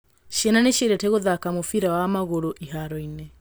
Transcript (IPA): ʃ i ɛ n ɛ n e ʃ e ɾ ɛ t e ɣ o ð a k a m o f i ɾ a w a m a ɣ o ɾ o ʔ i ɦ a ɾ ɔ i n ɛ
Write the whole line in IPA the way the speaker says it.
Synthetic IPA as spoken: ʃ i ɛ n a n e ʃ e ɾ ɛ t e ɣ o ð a k a m o f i ɾ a w a m a ɣ o ɾ o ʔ i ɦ a ɾ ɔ i n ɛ